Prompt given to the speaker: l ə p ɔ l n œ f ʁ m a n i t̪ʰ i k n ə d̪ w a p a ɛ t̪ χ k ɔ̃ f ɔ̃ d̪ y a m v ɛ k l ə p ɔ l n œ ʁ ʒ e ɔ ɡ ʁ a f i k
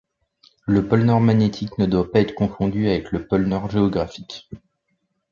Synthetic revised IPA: l ə p ɔ l n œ ʁ m a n e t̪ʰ i k n ə d̪ w a p a ɛ t̪ χ k ɔ̃ f ɔ̃ d̪ y a v ɛ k l ə p ɔ l n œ ʁ ʒ e ɔ ɡ ʁ a f i k